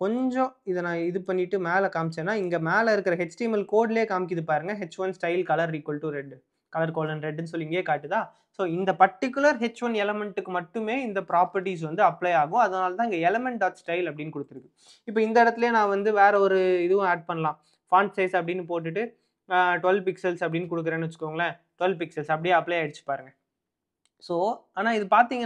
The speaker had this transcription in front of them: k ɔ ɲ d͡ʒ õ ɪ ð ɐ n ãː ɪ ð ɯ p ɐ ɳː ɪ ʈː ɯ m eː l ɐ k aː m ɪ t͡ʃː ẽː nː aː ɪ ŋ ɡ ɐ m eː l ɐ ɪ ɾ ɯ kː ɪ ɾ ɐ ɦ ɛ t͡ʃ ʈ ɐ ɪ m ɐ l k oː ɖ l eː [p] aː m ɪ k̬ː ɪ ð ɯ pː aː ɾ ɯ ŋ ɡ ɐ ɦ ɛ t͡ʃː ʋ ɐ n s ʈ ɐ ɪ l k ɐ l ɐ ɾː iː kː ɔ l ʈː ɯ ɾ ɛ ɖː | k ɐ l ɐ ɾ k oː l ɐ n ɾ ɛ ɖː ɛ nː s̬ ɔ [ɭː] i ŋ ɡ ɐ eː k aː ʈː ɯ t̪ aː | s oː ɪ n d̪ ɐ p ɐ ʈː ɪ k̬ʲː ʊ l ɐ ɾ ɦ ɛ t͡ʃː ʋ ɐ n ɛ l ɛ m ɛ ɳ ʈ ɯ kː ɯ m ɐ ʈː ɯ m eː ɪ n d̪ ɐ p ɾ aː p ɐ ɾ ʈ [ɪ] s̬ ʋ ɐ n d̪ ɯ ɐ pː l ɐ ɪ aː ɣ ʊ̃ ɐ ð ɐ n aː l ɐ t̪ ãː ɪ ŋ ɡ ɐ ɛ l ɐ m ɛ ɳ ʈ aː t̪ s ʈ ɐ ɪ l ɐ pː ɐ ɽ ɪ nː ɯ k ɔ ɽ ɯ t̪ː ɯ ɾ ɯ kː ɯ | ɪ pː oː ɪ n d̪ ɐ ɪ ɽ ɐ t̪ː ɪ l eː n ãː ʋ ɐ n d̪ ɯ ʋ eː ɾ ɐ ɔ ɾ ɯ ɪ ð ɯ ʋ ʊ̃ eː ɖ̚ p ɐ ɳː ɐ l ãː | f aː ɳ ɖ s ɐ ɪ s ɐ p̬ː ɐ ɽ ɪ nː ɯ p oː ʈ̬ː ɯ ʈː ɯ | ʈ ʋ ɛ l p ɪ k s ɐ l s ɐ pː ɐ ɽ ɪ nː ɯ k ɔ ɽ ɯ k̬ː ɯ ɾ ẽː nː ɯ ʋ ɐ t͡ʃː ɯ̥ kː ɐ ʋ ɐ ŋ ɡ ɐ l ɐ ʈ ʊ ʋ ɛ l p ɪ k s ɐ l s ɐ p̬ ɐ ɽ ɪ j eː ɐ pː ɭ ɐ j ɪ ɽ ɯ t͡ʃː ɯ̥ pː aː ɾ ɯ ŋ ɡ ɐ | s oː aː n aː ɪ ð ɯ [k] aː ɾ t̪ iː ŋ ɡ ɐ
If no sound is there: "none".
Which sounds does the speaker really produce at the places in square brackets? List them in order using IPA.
k, lː, i, p

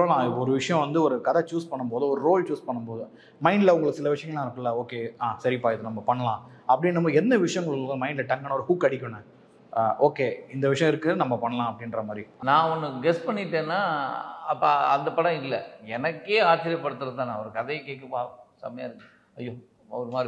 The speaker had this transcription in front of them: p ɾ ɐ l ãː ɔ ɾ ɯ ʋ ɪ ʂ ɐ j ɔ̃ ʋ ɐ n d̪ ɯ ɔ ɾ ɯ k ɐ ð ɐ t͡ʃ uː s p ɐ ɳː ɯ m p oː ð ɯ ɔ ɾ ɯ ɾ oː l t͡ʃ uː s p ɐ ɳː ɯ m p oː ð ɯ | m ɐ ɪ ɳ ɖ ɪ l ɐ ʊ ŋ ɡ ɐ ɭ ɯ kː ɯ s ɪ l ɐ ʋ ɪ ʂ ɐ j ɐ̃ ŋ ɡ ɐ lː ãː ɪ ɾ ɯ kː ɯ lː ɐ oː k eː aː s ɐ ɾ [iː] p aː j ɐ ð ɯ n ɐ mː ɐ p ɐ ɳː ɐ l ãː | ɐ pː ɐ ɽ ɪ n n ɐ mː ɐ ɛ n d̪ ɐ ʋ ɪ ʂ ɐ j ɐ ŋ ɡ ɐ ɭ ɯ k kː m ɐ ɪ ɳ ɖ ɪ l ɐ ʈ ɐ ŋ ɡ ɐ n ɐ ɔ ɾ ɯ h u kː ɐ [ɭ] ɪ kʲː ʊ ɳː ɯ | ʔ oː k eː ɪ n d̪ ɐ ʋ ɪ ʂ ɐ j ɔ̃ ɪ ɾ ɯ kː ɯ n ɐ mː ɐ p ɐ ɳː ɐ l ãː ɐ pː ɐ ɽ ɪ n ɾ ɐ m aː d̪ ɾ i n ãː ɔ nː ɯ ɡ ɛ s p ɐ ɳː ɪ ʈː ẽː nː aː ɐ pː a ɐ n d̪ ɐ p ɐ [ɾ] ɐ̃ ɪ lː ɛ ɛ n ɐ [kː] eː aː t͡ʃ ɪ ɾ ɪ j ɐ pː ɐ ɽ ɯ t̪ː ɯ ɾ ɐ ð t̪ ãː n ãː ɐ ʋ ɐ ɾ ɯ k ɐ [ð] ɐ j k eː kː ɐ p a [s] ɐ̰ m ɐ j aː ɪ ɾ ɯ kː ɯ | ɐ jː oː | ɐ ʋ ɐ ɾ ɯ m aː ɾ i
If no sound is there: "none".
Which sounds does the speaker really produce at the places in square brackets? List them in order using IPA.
i, ɽ, ɽ, kː, ð, s

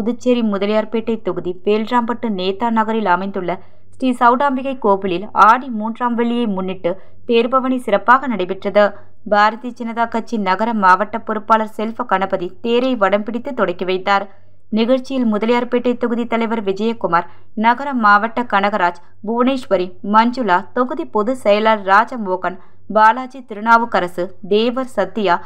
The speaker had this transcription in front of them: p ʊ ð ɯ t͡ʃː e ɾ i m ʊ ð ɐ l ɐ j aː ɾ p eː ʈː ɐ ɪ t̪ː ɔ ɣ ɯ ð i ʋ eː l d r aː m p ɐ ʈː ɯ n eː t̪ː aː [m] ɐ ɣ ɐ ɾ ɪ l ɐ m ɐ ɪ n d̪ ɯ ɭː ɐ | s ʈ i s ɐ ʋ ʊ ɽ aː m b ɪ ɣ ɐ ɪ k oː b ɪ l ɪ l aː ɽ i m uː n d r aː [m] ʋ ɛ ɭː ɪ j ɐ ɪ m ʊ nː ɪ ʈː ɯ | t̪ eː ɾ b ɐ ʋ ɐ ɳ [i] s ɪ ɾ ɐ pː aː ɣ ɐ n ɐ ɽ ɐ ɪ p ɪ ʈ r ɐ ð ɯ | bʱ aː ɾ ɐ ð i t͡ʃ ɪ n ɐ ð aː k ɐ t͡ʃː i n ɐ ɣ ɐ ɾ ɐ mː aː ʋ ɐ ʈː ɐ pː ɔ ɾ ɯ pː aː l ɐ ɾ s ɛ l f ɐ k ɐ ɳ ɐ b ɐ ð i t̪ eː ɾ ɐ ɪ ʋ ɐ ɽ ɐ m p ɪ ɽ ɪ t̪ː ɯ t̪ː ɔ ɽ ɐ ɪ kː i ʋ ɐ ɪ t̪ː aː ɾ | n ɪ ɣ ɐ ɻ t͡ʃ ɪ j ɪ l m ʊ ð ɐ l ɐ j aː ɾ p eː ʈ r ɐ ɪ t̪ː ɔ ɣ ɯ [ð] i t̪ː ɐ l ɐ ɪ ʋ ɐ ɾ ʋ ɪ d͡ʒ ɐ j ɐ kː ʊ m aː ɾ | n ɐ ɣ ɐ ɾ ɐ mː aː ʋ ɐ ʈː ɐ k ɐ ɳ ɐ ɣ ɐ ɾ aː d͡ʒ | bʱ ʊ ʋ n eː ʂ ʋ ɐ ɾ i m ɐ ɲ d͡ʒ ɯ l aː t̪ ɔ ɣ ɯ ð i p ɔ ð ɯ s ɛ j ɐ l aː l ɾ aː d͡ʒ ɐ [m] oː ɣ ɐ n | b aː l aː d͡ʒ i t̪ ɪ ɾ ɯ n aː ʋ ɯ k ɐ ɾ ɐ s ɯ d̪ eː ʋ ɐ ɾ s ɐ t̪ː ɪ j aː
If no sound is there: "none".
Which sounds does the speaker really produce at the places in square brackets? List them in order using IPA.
n, m, i, ð, m

